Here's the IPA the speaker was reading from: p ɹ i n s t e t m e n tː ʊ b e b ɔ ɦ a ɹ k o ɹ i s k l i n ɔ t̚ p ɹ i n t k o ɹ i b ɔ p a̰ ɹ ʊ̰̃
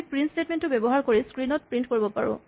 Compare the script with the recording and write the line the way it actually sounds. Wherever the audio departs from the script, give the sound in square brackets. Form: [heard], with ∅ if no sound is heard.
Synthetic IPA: p ɹ i n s t e t m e n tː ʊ b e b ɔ ɦ a ɹ k o ɹ i s k [ɹ] i n ɔ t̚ p ɹ i n t k o ɹ i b ɔ p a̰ ɹ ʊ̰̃